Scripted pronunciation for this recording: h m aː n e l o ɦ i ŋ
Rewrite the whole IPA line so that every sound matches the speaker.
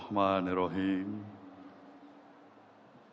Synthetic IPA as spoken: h m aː n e ɾ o ɦ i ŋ